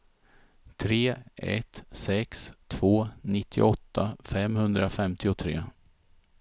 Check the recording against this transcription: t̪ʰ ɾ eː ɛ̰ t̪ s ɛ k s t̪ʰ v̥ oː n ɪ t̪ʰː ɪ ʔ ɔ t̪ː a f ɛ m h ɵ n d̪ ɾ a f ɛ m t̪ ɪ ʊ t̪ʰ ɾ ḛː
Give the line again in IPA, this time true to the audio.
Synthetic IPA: t̪ʰ ɾ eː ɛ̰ t̪ s ɛ k s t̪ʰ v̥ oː n ɪ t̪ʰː ɪ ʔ ɔ t̪ː a f ɛ m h ɵ n d̪ ɾ a f ɛ m t̪ ɪ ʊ t̪ʰ ɾ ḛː